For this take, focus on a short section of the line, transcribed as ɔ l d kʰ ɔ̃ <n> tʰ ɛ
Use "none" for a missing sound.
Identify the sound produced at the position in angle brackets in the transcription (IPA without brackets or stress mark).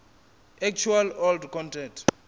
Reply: n